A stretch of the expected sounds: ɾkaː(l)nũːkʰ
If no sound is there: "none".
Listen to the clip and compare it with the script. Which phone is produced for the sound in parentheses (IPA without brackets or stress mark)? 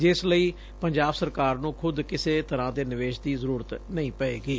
ɾ